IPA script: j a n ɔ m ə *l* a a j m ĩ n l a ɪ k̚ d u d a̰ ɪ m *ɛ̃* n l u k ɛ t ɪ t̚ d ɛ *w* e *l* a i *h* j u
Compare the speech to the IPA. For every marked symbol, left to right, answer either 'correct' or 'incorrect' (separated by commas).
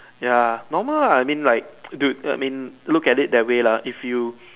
correct, incorrect, correct, correct, incorrect